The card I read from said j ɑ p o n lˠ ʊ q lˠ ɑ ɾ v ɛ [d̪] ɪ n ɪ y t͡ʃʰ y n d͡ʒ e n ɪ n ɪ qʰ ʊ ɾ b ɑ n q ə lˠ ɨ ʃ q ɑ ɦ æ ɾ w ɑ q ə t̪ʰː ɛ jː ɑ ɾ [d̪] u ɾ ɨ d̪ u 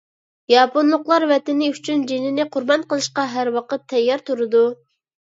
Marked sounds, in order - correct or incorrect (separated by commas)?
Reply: incorrect, incorrect